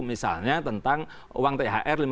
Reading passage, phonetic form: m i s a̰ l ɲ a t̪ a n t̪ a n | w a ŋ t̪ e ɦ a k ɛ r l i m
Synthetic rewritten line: m i s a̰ l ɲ a t̪ ə n t̪ a ŋ | w a ŋ t̪ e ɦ a ʔ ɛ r l i m